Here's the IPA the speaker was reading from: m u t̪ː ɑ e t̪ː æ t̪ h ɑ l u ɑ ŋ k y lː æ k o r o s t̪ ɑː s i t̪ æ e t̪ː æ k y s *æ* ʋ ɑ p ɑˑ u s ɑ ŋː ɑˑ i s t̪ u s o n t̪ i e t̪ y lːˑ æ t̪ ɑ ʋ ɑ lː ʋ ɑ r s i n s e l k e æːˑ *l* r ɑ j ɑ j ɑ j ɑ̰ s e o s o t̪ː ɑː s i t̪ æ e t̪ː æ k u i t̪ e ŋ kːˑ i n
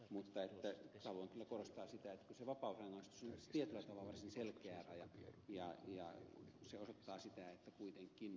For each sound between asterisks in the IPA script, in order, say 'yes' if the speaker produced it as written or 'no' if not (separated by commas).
no, no